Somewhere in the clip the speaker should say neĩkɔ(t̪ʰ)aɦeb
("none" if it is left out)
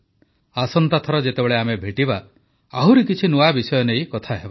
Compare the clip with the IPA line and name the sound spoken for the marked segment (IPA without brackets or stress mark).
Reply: t̪ʰ